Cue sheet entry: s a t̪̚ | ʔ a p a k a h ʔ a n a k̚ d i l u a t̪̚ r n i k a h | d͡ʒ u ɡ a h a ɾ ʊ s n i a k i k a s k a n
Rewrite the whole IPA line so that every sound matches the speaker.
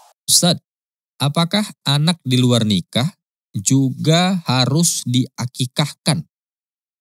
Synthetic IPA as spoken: s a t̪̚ | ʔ a p a k a h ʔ a n a k̚ d i l u a r n i k a h | d͡ʒ u ɡ a h a ɾ ʊ s d i a k i k a h k a n